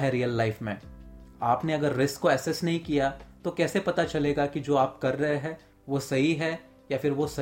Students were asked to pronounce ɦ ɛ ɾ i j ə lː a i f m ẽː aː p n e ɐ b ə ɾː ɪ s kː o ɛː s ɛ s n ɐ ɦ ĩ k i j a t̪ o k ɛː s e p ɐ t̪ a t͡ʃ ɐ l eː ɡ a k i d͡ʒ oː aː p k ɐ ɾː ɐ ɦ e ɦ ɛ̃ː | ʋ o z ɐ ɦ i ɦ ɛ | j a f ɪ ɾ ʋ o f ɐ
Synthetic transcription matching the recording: ɦ ɛ ɾ i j ə lː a ɪ f m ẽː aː p n e ɐ ɡ ə ɾː ɪ s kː o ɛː s ɛ s n ɐ ɦ ĩ k i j a t̪ o k ɛː s e p ɐ t̪ a t͡ʃ ɐ l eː ɡ a k i d͡ʒ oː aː p k ɐ ɾː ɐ ɦ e ɦ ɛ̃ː | ʋ o s ɐ ɦ i ɦ ɛ | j a f ɪ ɾ ʋ o s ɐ